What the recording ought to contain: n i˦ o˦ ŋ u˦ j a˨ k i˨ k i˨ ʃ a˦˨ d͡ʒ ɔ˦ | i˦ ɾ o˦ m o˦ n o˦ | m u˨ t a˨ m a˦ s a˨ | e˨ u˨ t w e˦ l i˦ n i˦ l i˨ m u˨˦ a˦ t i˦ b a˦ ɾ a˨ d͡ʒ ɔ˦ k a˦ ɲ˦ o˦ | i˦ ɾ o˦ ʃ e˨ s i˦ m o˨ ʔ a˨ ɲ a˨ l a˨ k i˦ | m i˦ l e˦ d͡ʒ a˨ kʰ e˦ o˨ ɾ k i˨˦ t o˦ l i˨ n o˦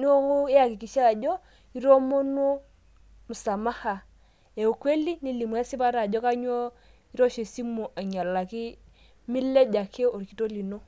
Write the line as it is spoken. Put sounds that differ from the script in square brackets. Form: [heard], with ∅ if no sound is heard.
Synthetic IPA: n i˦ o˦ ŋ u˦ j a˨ k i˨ k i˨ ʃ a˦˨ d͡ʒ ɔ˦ | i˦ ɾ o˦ m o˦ n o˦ | m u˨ [s] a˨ m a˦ [h] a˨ | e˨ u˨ [k] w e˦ l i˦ n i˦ l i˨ m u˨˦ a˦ [s] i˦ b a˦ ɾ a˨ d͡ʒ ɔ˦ k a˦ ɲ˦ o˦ | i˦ ɾ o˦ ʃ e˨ s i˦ m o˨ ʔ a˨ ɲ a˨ l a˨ k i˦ | m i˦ l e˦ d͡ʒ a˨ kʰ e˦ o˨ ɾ k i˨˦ t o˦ l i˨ n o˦